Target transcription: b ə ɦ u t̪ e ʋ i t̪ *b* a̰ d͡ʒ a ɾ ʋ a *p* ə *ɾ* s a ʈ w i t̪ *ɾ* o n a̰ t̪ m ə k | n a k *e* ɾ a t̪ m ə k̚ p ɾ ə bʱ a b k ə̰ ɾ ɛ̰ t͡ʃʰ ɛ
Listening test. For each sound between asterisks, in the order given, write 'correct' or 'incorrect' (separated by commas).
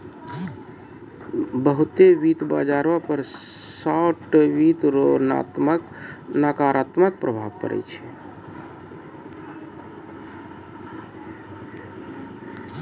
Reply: correct, correct, correct, correct, incorrect